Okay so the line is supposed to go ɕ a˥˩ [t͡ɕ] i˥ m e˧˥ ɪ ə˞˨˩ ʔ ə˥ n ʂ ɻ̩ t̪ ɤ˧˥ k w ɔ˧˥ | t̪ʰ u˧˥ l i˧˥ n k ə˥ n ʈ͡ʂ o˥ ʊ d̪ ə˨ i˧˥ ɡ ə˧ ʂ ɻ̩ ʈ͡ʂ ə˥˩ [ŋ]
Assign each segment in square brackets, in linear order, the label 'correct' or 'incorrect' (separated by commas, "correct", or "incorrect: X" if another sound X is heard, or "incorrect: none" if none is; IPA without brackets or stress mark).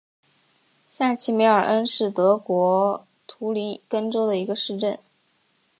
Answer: incorrect: t͡ɕʰ, incorrect: n